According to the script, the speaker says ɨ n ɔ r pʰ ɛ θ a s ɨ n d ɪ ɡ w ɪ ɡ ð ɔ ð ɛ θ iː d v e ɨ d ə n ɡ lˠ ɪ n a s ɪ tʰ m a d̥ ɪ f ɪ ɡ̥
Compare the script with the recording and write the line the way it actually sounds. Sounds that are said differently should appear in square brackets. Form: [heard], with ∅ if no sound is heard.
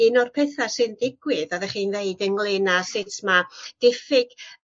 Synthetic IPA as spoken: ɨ n ɔ r pʰ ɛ θ a s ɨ n d ɪ ɡ w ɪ [∅] ð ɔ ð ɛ [χ] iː [n] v e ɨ d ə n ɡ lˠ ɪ n a s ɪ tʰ m a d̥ ɪ f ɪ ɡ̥